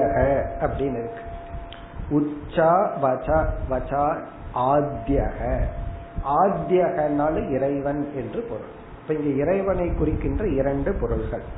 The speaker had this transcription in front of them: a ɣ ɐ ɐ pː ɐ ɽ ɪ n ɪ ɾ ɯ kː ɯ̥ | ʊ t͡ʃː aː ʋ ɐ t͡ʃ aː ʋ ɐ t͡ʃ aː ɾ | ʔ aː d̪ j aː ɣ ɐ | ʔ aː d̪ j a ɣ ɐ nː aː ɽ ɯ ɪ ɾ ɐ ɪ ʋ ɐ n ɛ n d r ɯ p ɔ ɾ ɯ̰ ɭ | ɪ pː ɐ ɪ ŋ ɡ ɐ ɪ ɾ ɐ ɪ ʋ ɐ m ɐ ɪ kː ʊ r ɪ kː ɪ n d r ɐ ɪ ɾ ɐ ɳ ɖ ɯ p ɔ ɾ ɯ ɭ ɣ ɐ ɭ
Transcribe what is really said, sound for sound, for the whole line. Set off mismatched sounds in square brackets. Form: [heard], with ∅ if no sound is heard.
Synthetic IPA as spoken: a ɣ ɐ ɐ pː ɐ ɽ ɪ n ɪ ɾ ɯ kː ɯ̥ | ʊ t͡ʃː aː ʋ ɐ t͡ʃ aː ʋ ɐ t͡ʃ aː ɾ | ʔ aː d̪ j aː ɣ ɐ | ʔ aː d̪ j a ɣ ɐ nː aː [l] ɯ ɪ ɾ ɐ ɪ ʋ ɐ n ɛ n d r ɯ p ɔ ɾ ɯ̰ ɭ | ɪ pː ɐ ɪ ŋ ɡ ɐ ɪ ɾ ɐ ɪ ʋ ɐ [n] ɐ ɪ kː ʊ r ɪ kː ɪ n d r ɐ ɪ ɾ ɐ ɳ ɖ ɯ p ɔ ɾ ɯ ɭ ɣ ɐ ɭ